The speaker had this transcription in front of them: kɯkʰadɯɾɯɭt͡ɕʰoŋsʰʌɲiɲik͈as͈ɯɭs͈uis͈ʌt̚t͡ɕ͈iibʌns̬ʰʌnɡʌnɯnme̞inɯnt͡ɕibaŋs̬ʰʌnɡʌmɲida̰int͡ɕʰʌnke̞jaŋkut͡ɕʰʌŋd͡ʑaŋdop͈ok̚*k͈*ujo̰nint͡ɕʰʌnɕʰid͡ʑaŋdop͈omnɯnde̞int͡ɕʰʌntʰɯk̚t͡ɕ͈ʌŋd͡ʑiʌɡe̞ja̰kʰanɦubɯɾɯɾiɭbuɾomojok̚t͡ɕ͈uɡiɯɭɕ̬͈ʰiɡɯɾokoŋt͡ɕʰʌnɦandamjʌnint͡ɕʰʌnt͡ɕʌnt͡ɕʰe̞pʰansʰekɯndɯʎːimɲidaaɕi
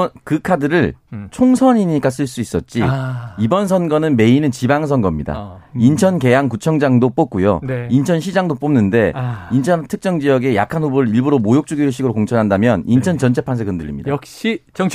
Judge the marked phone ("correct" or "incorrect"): correct